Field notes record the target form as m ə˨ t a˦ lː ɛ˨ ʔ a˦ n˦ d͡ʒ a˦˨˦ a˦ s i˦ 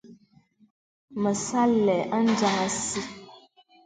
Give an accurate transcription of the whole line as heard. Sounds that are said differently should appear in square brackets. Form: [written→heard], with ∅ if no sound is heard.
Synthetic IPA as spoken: m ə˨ [t→s] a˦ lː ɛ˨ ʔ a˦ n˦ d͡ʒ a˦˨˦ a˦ s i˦